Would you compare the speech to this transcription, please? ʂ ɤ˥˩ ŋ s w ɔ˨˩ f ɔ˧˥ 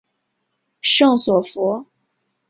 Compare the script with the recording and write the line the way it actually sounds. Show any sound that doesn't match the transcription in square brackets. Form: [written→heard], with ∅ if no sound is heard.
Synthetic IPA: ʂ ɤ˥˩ ŋ s w ɔ˨˩ f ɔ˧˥